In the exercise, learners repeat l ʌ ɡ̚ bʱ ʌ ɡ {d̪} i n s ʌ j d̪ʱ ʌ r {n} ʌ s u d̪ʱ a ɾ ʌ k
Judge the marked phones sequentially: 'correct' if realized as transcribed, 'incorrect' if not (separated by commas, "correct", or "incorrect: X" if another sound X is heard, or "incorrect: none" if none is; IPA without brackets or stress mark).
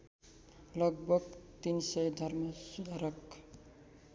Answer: incorrect: t̪, incorrect: m